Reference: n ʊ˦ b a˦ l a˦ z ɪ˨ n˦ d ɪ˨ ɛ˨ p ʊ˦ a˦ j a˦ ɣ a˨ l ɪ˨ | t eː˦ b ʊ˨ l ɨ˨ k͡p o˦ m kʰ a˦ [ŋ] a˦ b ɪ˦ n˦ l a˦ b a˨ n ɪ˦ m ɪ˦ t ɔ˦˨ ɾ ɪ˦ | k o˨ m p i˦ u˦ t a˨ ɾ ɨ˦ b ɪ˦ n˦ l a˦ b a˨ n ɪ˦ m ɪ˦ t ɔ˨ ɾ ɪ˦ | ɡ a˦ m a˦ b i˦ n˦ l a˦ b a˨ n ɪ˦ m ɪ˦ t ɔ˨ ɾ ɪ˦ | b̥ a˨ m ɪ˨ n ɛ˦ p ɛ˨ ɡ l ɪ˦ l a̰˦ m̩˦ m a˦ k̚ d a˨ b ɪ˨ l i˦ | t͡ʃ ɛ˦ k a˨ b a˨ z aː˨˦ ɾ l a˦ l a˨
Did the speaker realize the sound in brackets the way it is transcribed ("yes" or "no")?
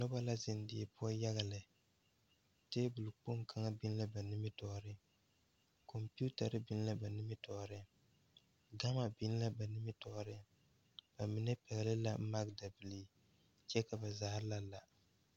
yes